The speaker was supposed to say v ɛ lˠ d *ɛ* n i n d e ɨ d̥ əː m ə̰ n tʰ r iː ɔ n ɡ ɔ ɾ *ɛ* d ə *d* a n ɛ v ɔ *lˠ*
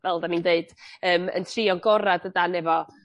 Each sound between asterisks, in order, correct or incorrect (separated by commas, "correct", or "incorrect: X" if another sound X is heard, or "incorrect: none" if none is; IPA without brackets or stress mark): incorrect: a, incorrect: a, correct, incorrect: none